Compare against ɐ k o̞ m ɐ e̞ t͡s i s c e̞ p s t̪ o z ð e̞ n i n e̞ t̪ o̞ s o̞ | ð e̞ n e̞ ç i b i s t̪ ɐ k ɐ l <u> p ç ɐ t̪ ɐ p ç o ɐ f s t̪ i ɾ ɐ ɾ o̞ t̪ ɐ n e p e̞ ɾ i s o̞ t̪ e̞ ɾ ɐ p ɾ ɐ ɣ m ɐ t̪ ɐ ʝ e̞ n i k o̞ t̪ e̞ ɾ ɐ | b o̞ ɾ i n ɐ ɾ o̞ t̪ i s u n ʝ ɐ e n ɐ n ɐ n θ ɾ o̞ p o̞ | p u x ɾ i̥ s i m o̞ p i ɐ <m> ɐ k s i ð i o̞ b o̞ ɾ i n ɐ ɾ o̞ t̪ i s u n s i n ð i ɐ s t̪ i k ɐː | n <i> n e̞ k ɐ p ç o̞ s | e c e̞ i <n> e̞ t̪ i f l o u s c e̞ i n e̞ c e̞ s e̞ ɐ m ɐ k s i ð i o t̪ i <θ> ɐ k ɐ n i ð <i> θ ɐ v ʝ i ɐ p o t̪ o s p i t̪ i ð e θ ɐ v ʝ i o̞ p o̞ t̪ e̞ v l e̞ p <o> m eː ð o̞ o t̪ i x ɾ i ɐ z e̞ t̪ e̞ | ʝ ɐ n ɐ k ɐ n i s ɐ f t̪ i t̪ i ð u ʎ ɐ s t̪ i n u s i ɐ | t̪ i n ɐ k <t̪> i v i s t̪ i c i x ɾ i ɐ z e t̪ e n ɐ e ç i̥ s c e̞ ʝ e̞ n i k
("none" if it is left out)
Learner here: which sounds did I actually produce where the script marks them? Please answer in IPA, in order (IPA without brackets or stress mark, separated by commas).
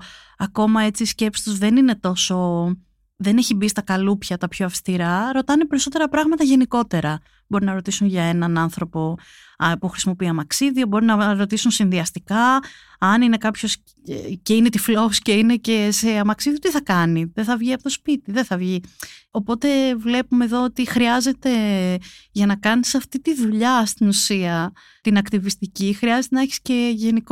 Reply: u, m, i, n, θ, e, u, t̪